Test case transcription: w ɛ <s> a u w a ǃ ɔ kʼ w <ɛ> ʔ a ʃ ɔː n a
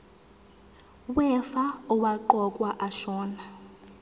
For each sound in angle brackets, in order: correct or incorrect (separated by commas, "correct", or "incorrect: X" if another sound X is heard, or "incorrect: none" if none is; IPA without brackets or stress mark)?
incorrect: f, incorrect: a